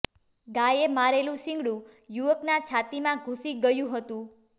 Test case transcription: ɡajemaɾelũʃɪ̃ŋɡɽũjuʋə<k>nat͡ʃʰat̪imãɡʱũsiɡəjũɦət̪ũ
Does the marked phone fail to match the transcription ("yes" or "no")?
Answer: no